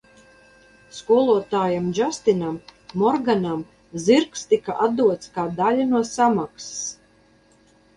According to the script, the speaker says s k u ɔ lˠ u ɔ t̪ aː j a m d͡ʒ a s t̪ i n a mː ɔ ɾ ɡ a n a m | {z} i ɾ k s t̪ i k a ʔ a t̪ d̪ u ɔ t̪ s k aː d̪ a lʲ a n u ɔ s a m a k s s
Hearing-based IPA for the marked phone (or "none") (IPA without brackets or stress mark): z